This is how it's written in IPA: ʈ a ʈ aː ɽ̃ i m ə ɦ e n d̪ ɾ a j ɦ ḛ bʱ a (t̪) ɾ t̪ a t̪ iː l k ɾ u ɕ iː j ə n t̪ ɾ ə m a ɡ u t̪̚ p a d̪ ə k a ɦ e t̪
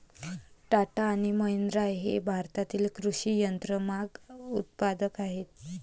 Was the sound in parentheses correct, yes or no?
no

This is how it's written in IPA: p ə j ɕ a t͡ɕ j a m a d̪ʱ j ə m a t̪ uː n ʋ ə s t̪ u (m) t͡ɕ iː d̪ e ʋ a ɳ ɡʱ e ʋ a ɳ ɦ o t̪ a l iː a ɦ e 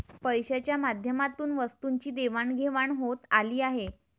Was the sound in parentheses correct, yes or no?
no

